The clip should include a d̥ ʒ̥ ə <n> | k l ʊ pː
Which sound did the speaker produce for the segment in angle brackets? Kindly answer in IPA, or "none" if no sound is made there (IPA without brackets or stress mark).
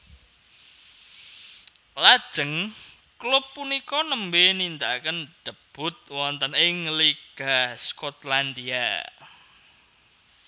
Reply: ŋ